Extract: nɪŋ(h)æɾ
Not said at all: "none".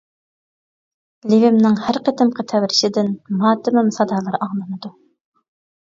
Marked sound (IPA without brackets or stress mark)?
h